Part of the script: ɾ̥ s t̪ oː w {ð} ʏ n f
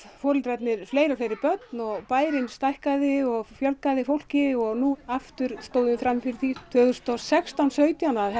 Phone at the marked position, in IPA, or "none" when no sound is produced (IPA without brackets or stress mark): ð